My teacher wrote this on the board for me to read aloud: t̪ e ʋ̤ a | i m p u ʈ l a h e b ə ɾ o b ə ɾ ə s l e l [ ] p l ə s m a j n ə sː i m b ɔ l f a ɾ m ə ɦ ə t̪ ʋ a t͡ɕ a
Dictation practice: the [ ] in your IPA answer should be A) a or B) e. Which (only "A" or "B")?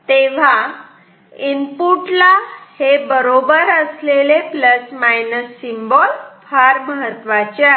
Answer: B